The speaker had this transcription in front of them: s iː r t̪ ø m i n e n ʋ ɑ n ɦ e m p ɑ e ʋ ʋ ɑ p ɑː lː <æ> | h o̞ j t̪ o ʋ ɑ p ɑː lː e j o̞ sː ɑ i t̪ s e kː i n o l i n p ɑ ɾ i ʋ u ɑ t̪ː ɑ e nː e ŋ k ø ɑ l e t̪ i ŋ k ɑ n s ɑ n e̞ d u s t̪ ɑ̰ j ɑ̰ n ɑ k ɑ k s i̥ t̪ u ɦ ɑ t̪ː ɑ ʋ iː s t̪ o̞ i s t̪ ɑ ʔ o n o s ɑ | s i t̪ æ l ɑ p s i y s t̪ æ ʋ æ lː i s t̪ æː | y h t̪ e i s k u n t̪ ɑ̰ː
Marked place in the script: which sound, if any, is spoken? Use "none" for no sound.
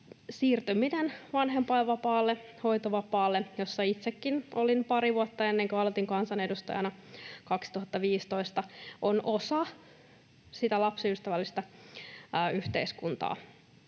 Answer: e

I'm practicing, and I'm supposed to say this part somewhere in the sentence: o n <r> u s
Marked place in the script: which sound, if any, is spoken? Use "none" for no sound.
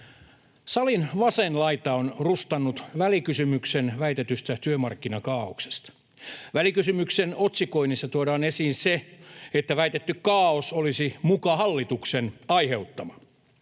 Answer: r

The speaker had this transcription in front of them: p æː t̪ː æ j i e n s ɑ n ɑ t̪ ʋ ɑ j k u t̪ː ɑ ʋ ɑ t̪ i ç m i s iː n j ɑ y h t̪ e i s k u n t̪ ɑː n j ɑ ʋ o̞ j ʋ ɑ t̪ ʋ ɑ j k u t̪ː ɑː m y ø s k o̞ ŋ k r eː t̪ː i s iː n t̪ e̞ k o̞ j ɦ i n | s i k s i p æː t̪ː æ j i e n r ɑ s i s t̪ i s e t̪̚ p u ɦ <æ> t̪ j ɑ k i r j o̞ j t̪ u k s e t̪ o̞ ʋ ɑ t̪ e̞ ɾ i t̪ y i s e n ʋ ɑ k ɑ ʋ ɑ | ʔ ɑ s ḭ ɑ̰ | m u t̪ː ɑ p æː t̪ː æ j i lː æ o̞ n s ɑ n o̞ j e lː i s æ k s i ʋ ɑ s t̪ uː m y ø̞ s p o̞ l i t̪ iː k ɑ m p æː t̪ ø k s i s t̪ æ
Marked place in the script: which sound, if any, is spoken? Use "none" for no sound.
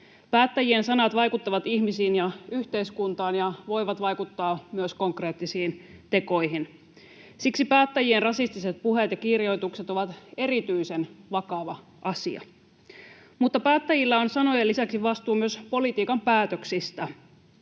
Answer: e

